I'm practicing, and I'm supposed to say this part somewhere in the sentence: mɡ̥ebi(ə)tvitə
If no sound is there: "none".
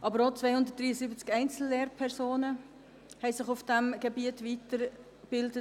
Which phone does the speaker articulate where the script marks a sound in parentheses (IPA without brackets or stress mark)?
ə